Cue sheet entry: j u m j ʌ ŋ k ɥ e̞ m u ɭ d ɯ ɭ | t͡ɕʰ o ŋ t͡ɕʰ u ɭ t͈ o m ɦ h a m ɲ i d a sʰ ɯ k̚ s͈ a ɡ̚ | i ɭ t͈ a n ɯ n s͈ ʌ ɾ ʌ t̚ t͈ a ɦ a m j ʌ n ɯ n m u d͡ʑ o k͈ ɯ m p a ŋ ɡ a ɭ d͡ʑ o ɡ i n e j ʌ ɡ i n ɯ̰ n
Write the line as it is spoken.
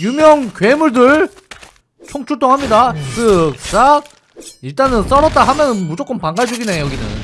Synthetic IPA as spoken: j u m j ʌ ŋ k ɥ e̞ m u ɭ d ɯ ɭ | t͡ɕʰ o ŋ t͡ɕʰ u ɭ t͈ o ŋ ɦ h a m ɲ i d a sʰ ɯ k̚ s͈ a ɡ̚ | i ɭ t͈ a n ɯ n s͈ ʌ ɾ ʌ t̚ t͈ a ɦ a m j ʌ n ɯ n m u d͡ʑ o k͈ ɯ m p a ŋ ɡ a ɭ d͡ʑ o ɡ i n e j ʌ ɡ i n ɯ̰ n